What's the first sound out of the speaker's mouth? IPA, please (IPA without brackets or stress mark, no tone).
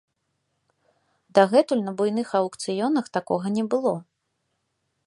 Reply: d̪